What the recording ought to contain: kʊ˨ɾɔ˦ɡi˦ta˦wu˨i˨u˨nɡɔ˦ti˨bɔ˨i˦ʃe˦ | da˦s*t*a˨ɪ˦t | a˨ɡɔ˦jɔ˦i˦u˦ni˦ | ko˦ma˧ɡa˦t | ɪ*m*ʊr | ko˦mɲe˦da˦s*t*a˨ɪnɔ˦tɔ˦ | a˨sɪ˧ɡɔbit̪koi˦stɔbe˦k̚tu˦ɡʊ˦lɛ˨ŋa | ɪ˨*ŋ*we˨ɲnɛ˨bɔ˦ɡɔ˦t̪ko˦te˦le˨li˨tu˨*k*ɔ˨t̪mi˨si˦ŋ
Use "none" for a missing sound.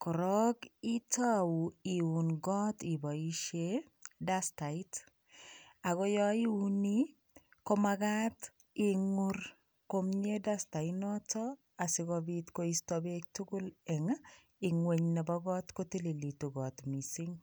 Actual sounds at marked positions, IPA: t, ŋ, t, ŋ, ɡ

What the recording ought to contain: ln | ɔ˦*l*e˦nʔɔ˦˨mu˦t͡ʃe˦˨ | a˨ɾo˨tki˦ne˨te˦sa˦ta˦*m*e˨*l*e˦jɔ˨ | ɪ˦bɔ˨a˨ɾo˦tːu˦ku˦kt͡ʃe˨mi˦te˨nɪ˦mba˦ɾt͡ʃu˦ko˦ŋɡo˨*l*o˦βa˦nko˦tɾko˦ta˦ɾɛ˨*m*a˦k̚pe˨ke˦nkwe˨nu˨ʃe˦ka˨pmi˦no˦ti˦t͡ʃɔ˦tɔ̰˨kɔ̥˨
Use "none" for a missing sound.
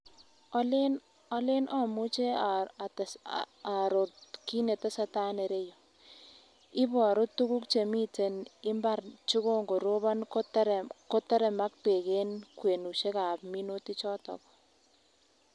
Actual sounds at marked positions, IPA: l, n, ɾ, ɾ, m

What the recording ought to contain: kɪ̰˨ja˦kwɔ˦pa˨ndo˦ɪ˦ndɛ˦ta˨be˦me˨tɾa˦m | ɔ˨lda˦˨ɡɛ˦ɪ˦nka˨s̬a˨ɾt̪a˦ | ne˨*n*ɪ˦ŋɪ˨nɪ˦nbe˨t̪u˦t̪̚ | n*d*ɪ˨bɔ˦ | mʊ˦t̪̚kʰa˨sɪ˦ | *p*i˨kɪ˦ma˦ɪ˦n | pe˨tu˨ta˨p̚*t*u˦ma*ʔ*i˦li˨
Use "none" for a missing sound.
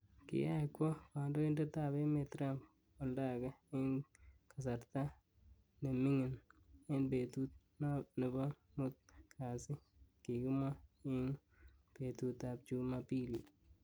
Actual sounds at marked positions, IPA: m, n, k, t͡ʃ, p

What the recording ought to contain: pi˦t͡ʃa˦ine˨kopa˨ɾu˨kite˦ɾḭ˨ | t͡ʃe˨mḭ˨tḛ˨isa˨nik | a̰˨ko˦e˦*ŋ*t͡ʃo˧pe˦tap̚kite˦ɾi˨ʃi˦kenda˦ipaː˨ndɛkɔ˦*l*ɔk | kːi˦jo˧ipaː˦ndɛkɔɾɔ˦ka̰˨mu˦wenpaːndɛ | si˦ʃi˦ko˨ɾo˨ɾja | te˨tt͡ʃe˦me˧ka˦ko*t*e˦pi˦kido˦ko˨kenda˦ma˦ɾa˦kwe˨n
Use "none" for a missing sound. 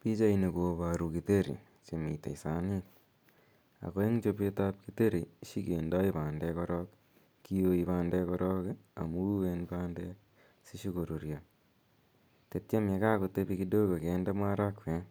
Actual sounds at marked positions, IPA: ŋ, ɾ, t

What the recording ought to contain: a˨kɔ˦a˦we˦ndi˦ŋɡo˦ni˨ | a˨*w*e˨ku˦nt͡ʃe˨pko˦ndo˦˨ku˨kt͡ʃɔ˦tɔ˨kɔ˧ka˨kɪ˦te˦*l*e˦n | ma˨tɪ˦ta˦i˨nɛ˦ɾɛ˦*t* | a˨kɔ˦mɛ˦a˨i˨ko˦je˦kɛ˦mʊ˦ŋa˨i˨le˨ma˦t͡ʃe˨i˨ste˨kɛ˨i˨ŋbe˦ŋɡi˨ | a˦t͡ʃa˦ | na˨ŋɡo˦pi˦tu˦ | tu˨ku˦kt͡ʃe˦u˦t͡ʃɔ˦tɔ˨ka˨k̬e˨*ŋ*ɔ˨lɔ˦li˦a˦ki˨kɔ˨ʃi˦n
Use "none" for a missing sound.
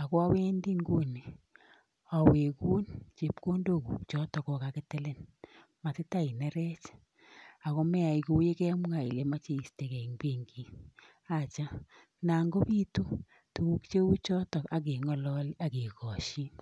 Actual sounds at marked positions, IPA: w, l, t͡ʃ, ŋ

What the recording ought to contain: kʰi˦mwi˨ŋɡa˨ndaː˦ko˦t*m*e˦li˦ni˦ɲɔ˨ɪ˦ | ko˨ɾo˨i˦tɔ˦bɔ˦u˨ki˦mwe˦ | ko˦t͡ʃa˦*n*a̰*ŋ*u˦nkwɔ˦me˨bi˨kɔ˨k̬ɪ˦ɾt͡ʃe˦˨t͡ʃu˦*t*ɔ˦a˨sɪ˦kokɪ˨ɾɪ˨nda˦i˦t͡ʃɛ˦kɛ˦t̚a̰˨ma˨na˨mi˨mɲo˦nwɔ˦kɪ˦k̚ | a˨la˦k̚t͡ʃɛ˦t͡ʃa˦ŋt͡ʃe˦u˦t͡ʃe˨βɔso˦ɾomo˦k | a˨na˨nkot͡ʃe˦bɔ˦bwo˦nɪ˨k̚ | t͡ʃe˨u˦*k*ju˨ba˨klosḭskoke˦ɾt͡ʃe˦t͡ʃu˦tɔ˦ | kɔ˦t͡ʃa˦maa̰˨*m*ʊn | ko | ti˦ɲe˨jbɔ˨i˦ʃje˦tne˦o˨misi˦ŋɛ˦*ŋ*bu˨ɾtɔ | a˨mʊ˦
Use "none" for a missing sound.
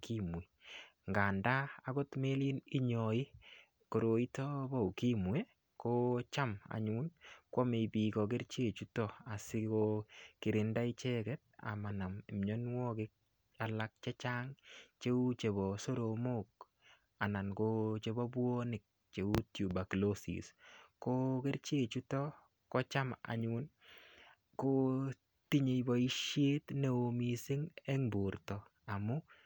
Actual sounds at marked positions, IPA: m, m, ɲ, t, t, ɲ, ŋ

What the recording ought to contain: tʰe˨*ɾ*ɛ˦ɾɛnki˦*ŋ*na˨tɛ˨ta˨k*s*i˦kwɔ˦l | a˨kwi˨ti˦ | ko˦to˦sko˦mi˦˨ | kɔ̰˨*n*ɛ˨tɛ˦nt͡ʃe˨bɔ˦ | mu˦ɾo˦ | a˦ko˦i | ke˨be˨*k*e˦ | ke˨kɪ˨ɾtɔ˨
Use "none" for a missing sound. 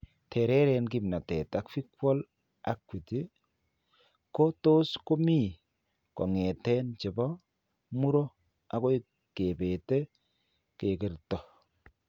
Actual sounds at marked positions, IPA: ɾ, m, f, ŋ, t

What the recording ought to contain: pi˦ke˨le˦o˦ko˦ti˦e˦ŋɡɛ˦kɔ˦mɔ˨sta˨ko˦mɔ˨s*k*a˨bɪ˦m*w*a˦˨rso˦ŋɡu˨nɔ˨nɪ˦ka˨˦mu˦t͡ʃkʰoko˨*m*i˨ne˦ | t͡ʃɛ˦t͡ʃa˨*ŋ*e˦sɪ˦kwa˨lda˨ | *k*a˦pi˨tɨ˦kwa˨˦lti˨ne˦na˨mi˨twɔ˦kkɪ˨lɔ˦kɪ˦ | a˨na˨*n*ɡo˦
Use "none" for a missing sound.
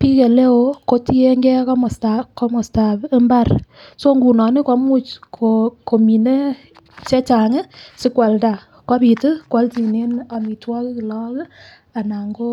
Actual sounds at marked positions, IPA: t, b, m, ŋ, k, ŋ

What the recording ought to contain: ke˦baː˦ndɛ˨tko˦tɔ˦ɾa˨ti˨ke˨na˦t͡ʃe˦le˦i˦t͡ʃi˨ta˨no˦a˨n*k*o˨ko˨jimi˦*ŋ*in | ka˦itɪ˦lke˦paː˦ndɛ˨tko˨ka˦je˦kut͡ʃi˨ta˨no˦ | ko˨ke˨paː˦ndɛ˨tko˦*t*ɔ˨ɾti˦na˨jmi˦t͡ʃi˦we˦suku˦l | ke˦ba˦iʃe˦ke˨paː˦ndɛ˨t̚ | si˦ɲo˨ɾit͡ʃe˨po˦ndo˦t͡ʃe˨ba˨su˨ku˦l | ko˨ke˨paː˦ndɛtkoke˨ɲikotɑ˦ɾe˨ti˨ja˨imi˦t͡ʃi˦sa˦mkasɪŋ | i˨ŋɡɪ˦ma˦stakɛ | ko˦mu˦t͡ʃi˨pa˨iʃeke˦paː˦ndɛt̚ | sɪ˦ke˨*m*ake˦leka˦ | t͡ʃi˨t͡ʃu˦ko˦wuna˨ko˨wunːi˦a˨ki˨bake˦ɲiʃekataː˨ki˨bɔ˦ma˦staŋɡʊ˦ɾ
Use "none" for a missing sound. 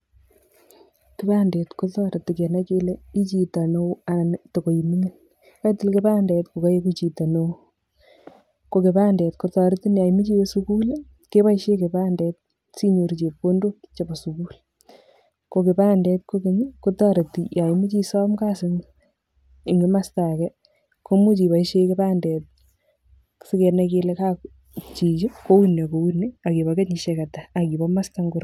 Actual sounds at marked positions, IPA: t, ŋ, t, n

